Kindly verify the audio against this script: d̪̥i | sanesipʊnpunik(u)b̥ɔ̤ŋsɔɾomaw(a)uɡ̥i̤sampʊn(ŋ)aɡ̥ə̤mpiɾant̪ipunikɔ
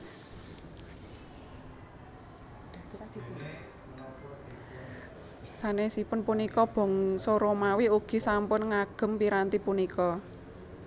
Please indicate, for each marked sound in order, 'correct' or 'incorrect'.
incorrect, incorrect, correct

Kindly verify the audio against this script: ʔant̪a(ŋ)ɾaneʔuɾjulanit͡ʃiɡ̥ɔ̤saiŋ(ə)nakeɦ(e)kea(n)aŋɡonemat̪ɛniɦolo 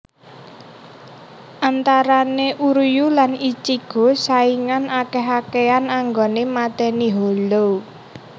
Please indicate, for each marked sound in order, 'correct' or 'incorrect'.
incorrect, incorrect, incorrect, correct

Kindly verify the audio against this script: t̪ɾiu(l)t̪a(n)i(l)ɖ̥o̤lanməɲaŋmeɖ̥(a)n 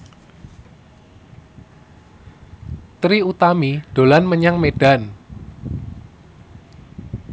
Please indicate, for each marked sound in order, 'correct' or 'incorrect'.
incorrect, incorrect, incorrect, correct

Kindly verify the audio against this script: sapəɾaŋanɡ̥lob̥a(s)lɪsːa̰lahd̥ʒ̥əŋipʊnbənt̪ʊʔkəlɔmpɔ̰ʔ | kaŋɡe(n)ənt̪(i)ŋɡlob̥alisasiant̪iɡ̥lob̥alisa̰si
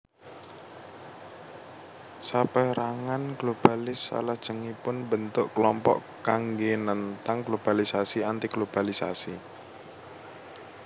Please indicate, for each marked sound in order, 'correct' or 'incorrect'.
incorrect, correct, incorrect

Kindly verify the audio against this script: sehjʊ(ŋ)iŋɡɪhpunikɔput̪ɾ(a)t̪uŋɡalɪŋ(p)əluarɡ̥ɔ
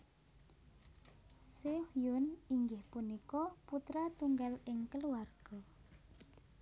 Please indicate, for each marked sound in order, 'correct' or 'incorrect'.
incorrect, correct, incorrect

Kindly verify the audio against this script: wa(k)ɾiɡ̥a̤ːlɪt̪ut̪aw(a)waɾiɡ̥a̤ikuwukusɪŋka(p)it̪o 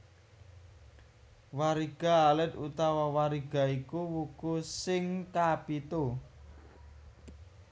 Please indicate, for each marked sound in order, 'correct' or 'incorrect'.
incorrect, correct, correct

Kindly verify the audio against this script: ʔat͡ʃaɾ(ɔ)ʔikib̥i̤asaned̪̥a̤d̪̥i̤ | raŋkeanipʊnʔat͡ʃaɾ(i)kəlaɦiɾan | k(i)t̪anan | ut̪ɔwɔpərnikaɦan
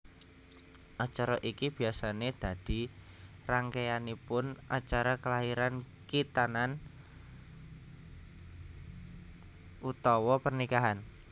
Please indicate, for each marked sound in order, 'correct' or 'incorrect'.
correct, incorrect, correct

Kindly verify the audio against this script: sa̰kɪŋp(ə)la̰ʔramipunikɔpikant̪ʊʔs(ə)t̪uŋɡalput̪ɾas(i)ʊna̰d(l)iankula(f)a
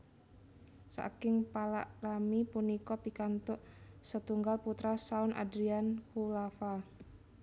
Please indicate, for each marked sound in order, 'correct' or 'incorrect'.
incorrect, correct, incorrect, incorrect, correct

